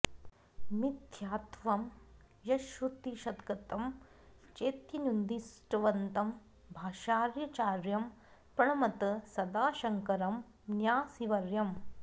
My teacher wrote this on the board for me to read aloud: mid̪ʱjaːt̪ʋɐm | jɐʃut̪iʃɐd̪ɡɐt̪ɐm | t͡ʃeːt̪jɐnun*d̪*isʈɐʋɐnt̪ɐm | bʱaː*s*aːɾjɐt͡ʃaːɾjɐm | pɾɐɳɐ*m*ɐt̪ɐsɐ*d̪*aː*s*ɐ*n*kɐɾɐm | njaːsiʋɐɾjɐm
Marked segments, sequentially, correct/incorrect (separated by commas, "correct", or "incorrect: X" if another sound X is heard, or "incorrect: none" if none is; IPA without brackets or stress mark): correct, incorrect: ʃ, correct, correct, incorrect: ʃ, incorrect: ŋ